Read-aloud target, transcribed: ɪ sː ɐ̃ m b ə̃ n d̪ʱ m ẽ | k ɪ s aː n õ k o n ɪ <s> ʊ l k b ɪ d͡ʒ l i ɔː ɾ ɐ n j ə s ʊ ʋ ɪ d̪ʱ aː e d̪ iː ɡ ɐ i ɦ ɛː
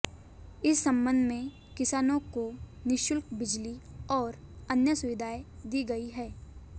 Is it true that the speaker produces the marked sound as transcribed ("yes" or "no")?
no